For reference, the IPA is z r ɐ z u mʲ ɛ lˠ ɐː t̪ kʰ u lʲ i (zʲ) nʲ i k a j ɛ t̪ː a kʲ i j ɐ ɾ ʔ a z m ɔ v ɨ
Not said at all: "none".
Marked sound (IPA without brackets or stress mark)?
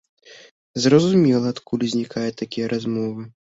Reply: zʲ